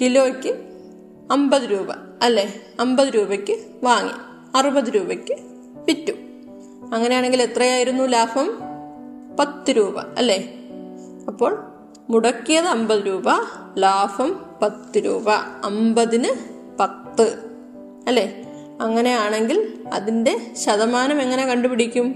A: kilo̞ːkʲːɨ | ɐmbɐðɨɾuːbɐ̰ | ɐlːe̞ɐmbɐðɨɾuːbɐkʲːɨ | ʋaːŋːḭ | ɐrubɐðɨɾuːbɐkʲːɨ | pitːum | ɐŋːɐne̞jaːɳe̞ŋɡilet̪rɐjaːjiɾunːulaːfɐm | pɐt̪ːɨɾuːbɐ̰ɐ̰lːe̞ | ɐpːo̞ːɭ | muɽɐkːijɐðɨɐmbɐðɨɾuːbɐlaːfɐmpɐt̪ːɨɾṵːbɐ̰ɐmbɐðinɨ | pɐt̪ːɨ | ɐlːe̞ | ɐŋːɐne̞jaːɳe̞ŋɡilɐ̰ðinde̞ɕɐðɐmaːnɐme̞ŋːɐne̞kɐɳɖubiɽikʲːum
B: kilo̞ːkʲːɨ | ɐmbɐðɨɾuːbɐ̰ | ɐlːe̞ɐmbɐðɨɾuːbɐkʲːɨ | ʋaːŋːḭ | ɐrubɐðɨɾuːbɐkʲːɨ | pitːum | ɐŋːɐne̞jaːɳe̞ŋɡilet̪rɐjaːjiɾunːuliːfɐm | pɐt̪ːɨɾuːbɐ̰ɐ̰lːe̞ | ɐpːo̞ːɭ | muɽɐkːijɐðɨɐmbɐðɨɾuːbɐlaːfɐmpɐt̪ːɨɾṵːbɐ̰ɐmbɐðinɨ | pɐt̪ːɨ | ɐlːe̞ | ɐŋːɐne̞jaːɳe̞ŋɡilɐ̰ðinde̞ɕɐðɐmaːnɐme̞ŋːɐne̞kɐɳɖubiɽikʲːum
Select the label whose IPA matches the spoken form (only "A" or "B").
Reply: A